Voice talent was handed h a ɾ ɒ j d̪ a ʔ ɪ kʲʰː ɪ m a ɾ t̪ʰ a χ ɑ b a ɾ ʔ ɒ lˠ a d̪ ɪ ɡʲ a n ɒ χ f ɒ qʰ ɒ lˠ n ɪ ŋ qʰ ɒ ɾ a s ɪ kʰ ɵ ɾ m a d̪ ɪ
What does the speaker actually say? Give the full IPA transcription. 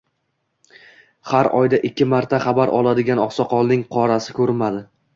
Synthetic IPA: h a ɾ ɒ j d̪ a ʔ ɪ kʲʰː ɪ m a ɾ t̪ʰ a χ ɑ b a ɾ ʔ ɒ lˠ a d̪ ɪ ɡʲ a n ɒ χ s ɒ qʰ ɒ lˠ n ɪ ŋ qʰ ɒ ɾ a s ɪ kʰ ɵ ɾ m a d̪ ɪ